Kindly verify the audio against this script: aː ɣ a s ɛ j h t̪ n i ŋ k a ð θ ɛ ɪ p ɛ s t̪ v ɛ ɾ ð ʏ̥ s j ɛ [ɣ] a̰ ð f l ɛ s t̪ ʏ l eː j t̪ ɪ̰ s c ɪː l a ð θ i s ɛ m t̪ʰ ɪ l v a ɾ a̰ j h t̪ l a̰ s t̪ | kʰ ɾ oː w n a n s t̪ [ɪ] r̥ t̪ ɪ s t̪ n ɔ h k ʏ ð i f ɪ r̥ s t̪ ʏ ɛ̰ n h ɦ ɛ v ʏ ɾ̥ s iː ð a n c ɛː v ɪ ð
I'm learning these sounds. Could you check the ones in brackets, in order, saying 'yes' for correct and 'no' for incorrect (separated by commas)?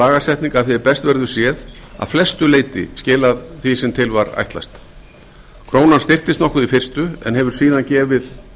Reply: no, yes